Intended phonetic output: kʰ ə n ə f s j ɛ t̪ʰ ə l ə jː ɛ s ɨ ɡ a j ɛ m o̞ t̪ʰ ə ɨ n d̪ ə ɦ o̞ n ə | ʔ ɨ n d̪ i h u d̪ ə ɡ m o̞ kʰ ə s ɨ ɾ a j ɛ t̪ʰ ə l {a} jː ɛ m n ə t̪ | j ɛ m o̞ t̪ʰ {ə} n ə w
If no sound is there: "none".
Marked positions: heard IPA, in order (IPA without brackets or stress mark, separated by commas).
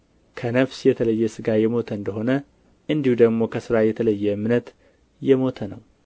ə, ə